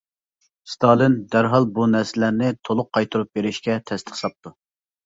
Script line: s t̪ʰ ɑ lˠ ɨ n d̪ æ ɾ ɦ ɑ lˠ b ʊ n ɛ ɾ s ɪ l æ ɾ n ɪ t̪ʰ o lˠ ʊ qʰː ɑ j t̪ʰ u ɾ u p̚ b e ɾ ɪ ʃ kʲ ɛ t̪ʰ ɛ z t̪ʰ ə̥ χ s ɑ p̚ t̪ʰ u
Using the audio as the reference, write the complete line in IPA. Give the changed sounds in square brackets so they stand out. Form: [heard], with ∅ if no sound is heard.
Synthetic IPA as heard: s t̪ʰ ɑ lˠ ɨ n d̪ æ ɾ ɦ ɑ lˠ b [u] n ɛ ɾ s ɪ l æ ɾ n ɪ t̪ʰ o lˠ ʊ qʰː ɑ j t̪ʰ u ɾ u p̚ b e ɾ ɪ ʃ kʲ ɛ t̪ʰ ɛ [s] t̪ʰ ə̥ χ s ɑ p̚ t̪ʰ u